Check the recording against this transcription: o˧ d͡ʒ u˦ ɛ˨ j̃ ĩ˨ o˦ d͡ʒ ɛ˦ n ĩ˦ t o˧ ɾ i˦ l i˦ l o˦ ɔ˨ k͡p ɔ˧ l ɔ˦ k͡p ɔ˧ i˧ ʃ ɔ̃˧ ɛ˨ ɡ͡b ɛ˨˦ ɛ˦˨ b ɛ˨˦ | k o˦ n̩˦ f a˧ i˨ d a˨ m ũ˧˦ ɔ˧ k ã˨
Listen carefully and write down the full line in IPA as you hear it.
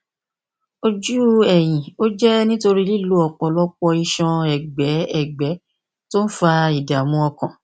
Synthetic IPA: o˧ d͡ʒ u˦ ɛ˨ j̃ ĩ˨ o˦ d͡ʒ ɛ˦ n ĩ˦ t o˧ ɾ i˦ l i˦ l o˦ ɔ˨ k͡p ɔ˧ l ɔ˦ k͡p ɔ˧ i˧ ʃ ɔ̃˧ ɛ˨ ɡ͡b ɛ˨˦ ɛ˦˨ ɡ͡b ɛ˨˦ | t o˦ n̩˦ f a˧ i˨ d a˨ m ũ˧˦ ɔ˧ k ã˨